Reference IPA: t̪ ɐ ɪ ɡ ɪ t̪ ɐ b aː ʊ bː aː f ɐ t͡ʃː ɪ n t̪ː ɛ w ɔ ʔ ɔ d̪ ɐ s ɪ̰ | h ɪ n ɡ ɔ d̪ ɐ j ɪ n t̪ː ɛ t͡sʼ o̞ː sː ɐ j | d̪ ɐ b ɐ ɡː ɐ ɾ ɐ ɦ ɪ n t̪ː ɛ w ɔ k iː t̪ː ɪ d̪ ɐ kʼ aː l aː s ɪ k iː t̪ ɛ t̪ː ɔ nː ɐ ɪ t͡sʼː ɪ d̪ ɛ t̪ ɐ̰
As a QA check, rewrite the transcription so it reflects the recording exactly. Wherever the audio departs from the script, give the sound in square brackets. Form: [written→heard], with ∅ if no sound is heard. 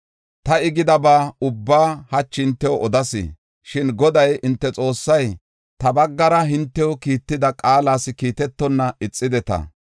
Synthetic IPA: t̪ ɐ ɪ ɡ ɪ [t̪→d̪] ɐ b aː ʊ bː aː [f→h] ɐ t͡ʃː ɪ n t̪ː ɛ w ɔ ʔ ɔ d̪ ɐ s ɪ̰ | [h→ʃ] ɪ n ɡ ɔ d̪ ɐ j ɪ n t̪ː ɛ t͡sʼ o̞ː sː ɐ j | [d̪→t̪] ɐ b ɐ ɡː ɐ ɾ ɐ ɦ ɪ n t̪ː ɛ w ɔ k iː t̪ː ɪ d̪ ɐ kʼ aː l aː s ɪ k iː t̪ ɛ t̪ː ɔ nː ɐ ɪ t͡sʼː ɪ d̪ ɛ t̪ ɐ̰